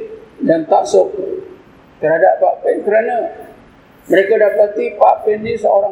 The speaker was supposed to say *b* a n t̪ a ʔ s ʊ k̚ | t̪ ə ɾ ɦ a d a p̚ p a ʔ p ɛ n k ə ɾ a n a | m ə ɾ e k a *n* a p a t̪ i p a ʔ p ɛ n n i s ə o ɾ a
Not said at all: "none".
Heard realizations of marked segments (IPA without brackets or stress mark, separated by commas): d, d